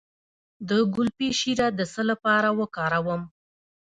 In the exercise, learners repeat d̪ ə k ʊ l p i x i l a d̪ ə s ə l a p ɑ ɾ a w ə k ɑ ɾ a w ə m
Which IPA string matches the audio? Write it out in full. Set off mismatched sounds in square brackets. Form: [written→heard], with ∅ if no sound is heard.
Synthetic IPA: d̪ ə [k→ɡ] ʊ l p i [x→ʃ] i [l→ɾ] a d̪ ə s ə l a p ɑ ɾ a w ə k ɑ ɾ a w ə m

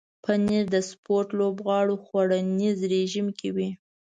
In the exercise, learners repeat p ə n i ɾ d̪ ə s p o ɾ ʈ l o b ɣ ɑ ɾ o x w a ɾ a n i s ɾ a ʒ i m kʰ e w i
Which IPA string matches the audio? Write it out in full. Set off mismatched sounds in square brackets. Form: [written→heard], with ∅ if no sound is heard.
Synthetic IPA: p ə n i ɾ d̪ ə s p o ɾ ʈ l o b ɣ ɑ [ɾ→ɽ] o x w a [ɾ→ɽ] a n i [s→z] ɾ [a→e] ʒ i m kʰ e w i

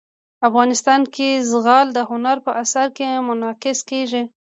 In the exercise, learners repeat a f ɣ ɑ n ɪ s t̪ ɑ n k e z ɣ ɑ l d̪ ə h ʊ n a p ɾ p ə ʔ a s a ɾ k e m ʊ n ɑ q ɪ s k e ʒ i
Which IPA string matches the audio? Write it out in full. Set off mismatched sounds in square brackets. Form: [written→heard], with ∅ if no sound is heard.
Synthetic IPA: a f ɣ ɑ n ɪ s t̪ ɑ n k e z ɣ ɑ l d̪ ə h ʊ n a [p→∅] ɾ p ə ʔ a s a ɾ k e m ʊ n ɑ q ɪ s k e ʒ i

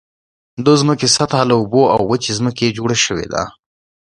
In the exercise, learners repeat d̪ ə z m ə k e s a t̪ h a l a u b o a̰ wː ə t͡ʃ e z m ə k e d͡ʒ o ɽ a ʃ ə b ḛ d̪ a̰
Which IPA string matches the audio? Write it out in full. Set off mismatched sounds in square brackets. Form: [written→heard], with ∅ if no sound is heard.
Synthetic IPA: d̪ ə z m ə k e s a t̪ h a l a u b o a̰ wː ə t͡ʃ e z m ə k e d͡ʒ o ɽ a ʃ ə [b→w] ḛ d̪ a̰

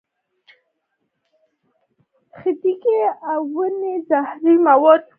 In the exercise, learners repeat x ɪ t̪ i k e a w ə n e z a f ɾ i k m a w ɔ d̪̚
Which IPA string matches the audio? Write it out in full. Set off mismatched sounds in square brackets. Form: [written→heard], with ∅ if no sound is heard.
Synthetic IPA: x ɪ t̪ i k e a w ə n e z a [f→h] ɾ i [k→∅] m a w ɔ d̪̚

